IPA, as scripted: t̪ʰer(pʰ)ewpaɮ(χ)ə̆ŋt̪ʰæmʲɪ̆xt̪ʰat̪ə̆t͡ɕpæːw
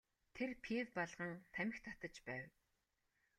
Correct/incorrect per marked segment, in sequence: correct, incorrect: ʁ

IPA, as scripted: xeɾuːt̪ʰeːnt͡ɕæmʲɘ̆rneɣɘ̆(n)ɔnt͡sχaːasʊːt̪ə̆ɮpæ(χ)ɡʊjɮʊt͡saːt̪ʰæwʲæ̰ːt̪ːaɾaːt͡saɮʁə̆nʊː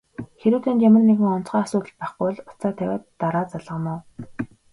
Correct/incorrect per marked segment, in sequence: incorrect: ŋ, correct

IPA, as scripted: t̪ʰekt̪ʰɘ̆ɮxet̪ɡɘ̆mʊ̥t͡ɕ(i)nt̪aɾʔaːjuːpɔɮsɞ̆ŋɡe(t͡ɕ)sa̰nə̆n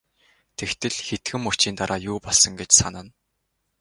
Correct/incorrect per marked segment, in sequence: incorrect: iː, correct

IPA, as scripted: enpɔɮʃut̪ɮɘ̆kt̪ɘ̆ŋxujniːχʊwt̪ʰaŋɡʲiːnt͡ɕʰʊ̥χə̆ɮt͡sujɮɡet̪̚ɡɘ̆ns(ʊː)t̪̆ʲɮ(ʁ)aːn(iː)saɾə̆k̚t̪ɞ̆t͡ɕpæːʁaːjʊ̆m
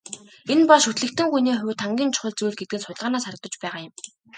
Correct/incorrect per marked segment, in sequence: incorrect: ʊ, correct, incorrect: aː

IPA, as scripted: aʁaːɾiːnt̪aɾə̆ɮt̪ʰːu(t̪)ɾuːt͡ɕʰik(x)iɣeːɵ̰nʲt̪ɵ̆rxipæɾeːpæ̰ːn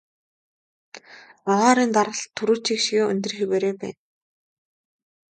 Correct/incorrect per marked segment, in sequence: incorrect: none, incorrect: ʃ

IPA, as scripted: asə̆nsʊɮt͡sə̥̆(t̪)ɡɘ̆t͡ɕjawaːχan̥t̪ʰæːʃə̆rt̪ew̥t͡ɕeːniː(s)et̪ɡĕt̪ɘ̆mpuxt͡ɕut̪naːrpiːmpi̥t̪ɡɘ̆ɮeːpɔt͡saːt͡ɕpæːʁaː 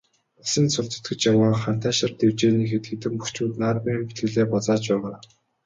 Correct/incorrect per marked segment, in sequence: correct, incorrect: x

